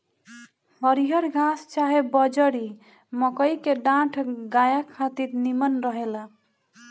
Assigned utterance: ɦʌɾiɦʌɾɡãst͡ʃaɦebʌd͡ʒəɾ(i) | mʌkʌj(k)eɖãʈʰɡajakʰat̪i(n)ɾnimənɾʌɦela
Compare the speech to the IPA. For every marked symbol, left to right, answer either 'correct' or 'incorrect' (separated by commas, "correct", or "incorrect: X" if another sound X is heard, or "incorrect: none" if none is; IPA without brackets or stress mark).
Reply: correct, correct, incorrect: none